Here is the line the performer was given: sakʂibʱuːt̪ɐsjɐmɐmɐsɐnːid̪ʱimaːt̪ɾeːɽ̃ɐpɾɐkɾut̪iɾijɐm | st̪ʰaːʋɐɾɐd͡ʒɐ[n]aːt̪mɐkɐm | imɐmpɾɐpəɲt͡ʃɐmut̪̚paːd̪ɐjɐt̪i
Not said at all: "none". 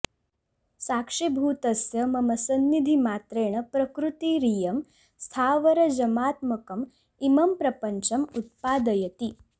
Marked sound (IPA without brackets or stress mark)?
m